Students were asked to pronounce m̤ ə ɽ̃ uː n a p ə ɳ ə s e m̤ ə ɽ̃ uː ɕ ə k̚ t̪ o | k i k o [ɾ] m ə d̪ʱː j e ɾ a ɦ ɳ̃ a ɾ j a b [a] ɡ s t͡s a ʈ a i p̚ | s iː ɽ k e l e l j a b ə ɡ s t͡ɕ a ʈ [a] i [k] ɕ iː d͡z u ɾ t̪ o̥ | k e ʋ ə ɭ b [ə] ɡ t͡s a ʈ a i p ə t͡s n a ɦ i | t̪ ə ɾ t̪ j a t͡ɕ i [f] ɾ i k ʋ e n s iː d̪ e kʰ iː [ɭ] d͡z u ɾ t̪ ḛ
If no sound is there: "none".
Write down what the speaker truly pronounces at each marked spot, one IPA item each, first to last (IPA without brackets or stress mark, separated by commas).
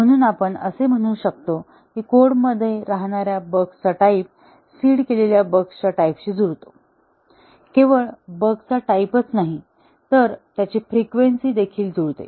ɽ, ə, a, p, ə, f, l